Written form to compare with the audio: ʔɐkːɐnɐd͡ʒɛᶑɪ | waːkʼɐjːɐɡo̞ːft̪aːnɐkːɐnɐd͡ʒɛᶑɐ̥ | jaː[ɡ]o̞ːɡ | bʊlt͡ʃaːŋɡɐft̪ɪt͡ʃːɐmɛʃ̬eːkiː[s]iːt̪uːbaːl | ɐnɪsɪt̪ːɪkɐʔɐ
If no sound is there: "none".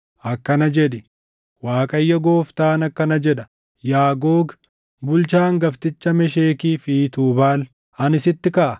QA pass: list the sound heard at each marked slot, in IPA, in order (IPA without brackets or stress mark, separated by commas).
ɡ, f